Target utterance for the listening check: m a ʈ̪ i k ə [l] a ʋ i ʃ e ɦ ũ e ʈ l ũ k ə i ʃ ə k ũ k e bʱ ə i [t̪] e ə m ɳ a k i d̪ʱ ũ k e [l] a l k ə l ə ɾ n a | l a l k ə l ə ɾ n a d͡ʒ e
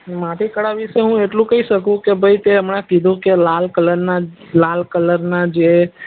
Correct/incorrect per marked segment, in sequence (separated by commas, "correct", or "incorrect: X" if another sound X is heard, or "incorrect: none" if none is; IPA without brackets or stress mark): incorrect: ɽ, correct, correct